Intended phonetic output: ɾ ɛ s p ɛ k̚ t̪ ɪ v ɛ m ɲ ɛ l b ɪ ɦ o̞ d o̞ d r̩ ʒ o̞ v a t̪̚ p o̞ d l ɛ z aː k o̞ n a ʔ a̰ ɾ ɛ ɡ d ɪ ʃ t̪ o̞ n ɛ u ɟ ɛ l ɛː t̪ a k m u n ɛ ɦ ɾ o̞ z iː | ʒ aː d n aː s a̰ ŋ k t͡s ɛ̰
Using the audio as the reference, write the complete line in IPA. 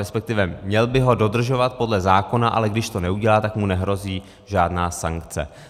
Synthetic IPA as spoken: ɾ ɛ s p ɛ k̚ t̪ ɪ v ɛ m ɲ ɛ l b ɪ ɦ o̞ d o̞ d r̩ ʒ o̞ v a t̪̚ p o̞ d l ɛ z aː k o̞ n a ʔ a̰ l ɛ ɡ d ɪ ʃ t̪ o̞ n ɛ u ɟ ɛ l aː t̪ a k m u n ɛ ɦ ɾ o̞ z iː | ʒ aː d n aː s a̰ ŋ k t͡s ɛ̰